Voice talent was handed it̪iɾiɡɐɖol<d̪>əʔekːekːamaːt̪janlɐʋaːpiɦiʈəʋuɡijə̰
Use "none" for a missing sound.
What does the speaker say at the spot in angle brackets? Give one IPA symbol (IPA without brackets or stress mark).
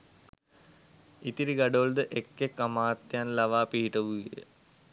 d̪